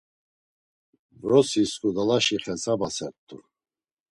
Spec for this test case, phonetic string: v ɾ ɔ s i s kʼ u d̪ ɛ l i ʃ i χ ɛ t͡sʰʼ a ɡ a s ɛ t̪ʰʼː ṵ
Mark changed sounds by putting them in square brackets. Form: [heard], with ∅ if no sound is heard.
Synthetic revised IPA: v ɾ ɔ s i s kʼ u d̪ [a] l [a] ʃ i χ ɛ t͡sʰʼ a [b] a s ɛ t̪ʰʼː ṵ